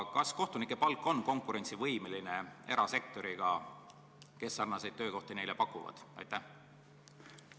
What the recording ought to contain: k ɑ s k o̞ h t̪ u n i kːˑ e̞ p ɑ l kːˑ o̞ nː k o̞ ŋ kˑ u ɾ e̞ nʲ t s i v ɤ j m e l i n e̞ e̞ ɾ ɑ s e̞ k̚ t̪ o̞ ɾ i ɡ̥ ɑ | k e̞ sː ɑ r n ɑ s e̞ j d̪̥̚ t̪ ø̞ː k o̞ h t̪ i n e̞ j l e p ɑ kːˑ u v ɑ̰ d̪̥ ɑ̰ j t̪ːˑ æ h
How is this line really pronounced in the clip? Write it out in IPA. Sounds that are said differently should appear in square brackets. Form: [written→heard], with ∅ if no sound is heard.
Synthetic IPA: k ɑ s k o̞ h t̪ u n i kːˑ e̞ p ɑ l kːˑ o̞ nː k o̞ ŋ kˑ u ɾ e̞ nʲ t s i v ɤ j m e l i n e̞ e̞ ɾ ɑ s e̞ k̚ t̪ o̞ ɾ i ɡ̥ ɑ | k e̞ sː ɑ r n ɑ s e̞ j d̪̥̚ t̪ ø̞ː k o̞ h t̪ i n e̞ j l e p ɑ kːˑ u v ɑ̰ d̪̥ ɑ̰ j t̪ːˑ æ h